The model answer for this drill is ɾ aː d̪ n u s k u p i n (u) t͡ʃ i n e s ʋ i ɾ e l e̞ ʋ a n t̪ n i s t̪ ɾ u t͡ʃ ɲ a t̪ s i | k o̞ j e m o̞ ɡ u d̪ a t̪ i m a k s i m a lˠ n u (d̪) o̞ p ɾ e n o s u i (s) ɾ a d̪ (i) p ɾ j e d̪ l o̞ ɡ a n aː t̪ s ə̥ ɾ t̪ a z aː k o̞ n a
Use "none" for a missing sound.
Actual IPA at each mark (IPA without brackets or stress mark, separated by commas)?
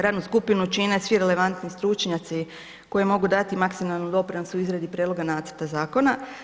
u, d̪, z, i